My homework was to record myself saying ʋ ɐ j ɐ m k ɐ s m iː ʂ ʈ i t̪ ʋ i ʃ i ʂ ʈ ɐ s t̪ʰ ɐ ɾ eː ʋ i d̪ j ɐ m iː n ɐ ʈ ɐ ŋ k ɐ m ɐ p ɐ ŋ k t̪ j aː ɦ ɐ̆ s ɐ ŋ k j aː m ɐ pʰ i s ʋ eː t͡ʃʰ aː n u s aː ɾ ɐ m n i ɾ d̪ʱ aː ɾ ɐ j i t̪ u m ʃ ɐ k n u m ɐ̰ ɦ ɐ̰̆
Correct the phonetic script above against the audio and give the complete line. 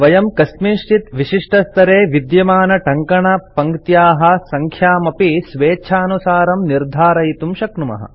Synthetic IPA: ʋ ɐ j ɐ m k ɐ s m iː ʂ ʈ i t̪ ʋ i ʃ i ʂ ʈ ɐ s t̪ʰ ɐ ɾ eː ʋ i d̪ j ɐ m aː n ɐ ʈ ɐ ŋ k ɐ ɳ ɐ p ɐ ŋ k t̪ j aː ɦ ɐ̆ s ɐ ŋ kʰ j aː m ɐ p i s ʋ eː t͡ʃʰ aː n u s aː ɾ ɐ m n i ɾ d̪ʱ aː ɾ ɐ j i t̪ u m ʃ ɐ k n u m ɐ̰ ɦ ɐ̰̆